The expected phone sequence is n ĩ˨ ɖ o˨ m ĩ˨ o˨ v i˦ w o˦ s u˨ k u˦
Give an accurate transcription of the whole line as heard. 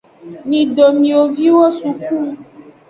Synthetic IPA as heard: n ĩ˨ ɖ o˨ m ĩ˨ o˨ v i˦ w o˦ s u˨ k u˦